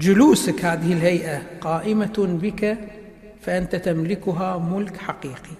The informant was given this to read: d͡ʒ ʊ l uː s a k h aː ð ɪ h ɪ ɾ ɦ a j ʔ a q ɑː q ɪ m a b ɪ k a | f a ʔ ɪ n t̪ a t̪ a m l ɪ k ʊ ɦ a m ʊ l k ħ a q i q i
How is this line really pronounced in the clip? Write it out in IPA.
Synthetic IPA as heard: d͡ʒ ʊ l uː s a k h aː ð ɪ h ɪ l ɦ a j ʔ a q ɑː ʔ ɪ m a b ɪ k a | f a ʔ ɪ n t̪ a t̪ a m l ɪ k ʊ ɦ a m ʊ l k ħ a q iː q i